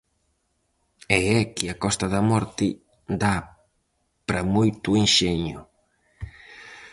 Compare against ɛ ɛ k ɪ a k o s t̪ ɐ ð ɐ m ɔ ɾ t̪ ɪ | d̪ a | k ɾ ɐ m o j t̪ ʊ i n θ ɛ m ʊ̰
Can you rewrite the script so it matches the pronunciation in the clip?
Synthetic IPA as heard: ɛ ɛ k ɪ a k ɔ s t̪ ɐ ð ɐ m ɔ ɾ t̪ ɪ | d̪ a | p ɾ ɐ m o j t̪ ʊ i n ʃ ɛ ɲ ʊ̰